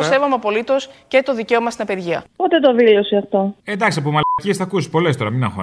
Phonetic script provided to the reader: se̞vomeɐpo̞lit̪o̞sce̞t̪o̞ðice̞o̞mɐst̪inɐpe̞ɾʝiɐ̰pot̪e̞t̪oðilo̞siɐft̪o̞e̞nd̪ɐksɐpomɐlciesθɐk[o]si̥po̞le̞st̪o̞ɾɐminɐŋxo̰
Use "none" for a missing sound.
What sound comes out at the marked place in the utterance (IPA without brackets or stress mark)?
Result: u